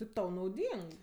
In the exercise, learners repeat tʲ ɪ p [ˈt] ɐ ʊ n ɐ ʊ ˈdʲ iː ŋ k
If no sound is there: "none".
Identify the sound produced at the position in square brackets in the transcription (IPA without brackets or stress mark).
t